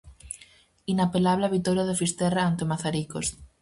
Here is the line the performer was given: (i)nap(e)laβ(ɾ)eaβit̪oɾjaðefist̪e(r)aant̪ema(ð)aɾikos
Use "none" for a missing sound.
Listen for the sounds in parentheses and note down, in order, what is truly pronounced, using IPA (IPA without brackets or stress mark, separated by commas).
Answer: i, e, l, r, θ